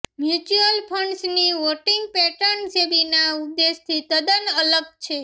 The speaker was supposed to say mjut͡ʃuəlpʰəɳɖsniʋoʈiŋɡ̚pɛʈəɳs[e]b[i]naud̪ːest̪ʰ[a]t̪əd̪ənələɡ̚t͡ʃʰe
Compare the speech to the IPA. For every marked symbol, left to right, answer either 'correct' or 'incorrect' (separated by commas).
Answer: correct, correct, incorrect